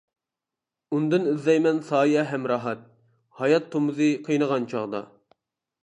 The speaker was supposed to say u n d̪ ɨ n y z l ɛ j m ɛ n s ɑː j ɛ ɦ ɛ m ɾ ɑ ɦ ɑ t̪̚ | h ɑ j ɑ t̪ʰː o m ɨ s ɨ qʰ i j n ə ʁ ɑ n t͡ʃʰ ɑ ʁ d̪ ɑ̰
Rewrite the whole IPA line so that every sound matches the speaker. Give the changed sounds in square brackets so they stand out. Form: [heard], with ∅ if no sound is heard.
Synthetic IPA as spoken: u n d̪ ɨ n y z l ɛ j m ɛ n s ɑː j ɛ ɦ ɛ m ɾ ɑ ɦ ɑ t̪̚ | h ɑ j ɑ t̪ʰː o m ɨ [z] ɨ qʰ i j n ə ʁ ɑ n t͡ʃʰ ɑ ʁ d̪ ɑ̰

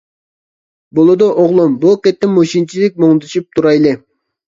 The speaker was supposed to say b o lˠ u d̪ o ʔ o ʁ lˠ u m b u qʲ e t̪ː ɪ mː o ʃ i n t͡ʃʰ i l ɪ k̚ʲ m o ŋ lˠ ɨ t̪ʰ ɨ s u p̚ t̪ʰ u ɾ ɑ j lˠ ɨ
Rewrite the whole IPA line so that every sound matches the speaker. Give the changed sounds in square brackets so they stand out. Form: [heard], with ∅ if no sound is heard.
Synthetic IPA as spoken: b o lˠ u d̪ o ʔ o ʁ lˠ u m b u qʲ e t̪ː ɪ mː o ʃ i n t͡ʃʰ i l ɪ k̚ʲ m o ŋ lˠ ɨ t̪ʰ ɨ [ʃ] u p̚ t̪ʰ u ɾ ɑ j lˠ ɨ

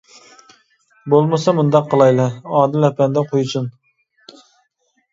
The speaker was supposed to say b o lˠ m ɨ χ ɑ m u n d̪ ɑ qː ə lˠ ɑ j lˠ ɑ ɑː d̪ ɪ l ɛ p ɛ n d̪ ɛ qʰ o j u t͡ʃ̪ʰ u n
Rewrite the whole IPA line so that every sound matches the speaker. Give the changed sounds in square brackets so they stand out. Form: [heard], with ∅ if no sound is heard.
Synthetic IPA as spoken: b o lˠ m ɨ [s] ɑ m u n d̪ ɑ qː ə lˠ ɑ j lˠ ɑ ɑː d̪ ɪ l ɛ p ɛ n d̪ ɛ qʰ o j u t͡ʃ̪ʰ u n

